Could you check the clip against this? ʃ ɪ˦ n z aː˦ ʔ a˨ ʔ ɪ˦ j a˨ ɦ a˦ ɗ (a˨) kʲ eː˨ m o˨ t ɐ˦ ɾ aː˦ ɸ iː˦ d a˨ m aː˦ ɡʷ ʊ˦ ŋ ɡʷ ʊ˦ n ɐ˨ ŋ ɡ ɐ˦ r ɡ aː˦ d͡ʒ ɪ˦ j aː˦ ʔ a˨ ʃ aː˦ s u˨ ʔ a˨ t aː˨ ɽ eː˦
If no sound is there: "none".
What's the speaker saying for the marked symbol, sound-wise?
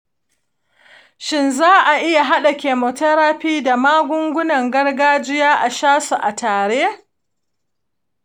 a˨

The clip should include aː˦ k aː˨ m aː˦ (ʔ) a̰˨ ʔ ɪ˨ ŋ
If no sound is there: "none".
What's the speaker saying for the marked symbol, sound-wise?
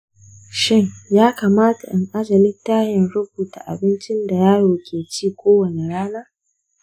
t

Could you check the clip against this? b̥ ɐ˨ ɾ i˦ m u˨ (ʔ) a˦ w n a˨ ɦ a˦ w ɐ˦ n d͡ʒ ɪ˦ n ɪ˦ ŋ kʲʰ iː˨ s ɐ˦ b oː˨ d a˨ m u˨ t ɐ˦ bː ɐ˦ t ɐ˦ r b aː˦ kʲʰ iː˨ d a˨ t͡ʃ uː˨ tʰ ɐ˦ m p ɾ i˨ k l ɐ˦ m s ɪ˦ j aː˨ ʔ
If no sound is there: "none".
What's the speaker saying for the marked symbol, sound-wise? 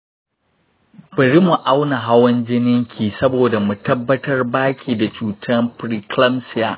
ʔ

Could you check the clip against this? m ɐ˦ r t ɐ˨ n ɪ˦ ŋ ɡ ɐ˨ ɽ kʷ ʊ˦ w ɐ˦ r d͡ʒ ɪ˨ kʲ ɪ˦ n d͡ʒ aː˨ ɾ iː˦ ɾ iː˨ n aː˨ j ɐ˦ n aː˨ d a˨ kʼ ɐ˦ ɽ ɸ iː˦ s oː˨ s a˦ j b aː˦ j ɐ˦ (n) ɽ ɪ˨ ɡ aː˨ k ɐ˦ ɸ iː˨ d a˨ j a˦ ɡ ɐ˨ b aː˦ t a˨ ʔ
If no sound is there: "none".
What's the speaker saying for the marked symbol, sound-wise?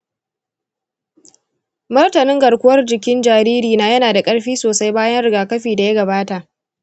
n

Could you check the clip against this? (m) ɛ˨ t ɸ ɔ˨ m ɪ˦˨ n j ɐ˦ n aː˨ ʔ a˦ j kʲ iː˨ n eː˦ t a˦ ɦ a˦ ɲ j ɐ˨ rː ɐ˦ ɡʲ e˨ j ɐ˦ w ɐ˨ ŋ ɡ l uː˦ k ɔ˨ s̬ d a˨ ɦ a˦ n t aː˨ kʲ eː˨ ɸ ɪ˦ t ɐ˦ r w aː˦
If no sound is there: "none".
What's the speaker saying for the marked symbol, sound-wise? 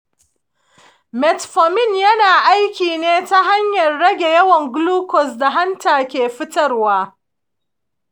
m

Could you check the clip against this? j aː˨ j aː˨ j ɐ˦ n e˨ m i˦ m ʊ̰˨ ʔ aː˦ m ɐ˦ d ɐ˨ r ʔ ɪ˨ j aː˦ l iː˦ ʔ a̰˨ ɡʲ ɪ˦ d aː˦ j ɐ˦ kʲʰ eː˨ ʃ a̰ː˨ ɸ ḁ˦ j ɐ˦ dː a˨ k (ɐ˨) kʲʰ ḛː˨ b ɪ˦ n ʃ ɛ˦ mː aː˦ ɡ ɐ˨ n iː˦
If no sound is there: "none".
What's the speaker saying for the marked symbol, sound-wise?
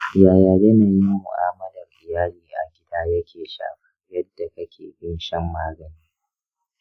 ɐ˦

